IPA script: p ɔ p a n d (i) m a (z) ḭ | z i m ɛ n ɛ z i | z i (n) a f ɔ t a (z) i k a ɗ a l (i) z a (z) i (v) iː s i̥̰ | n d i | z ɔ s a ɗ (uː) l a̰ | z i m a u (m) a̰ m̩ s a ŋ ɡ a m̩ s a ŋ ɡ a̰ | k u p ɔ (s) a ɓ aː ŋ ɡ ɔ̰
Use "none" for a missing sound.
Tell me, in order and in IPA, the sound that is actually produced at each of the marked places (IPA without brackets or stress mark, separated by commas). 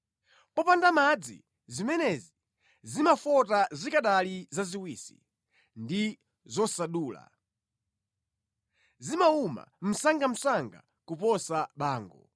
a, d͡z, m, z, i, z, w, uː, m, s